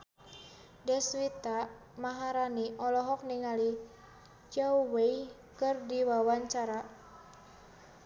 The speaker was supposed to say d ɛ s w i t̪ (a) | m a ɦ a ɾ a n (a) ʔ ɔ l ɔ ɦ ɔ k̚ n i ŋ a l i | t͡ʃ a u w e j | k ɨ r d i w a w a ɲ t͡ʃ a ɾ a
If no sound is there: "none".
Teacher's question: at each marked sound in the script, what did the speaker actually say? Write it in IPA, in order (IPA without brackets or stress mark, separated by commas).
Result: a, i